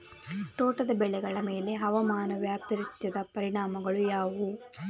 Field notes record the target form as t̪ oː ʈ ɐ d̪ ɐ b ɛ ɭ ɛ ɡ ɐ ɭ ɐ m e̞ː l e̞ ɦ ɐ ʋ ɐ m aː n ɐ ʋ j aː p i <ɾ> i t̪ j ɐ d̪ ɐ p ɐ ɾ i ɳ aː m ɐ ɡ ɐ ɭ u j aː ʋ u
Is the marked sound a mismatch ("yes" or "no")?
no